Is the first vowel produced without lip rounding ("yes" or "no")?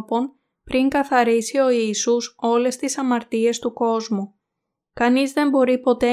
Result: no